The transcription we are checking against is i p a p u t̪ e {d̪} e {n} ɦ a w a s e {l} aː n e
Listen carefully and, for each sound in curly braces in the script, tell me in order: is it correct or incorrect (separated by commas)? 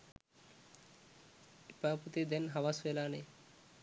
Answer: correct, correct, correct